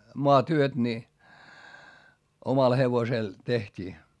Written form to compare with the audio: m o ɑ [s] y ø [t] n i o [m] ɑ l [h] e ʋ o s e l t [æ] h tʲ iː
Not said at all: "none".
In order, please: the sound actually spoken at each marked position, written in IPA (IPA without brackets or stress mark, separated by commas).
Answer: t, t, m, h, e